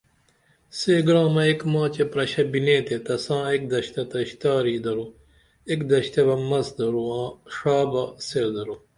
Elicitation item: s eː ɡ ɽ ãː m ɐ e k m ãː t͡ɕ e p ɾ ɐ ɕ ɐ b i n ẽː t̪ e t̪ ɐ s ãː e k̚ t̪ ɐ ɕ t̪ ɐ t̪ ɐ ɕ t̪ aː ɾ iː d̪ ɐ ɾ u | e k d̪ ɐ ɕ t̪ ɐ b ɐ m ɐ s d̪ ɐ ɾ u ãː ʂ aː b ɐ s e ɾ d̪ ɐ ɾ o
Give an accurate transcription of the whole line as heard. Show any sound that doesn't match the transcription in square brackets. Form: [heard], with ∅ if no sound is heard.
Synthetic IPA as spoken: s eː ɡ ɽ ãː m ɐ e k m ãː t͡ɕ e p ɾ ɐ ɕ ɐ b i n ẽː t̪ e t̪ ɐ s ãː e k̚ [d̪] ɐ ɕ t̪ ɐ t̪ ɐ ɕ t̪ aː ɾ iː d̪ ɐ ɾ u | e k d̪ ɐ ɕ t̪ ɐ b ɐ m ɐ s d̪ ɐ ɾ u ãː ʂ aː b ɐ s e ɾ d̪ ɐ ɾ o